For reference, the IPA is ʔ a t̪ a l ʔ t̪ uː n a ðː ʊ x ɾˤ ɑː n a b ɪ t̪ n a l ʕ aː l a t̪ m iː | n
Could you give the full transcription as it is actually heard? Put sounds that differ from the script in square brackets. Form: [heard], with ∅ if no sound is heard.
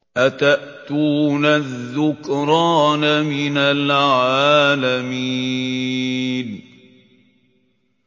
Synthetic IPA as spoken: ʔ a t̪ a [∅] ʔ t̪ uː n a ðː ʊ [k] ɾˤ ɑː n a [m] ɪ [∅] n a l ʕ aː l a [∅] m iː | n